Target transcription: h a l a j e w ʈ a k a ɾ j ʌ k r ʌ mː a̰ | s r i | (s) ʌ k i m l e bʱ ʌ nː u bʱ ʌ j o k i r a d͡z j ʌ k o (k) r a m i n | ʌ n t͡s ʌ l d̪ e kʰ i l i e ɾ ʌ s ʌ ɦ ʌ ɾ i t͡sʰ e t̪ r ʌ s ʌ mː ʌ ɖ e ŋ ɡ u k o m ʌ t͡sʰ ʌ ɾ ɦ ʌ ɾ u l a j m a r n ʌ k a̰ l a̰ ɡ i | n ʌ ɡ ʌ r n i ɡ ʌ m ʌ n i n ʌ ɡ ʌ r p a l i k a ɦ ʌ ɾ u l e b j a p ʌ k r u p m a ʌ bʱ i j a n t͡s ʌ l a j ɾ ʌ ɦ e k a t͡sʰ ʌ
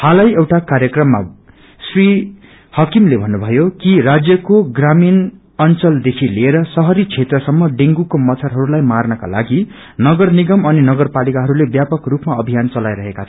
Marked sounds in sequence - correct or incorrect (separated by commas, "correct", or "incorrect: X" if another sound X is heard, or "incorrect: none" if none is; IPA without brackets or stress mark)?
incorrect: h, incorrect: ɡ